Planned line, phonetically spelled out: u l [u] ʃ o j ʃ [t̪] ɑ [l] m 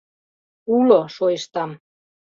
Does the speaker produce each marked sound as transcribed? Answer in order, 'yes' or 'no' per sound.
no, yes, no

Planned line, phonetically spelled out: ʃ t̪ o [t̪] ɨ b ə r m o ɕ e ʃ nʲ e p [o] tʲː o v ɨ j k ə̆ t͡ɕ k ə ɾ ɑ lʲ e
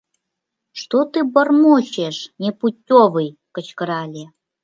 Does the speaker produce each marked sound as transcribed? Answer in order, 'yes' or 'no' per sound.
yes, no

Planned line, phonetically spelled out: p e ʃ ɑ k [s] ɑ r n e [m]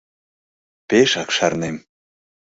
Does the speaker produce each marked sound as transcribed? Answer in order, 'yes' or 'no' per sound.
no, yes

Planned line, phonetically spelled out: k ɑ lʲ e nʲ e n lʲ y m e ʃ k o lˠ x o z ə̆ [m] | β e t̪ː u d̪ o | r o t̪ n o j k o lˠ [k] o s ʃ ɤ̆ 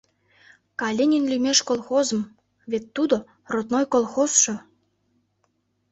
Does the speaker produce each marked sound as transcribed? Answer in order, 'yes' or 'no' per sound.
yes, no

